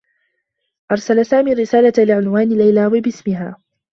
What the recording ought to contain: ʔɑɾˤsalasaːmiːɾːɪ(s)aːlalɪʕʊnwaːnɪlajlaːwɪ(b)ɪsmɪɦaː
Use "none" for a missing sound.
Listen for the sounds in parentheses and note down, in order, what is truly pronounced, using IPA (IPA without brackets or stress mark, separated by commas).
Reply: s, b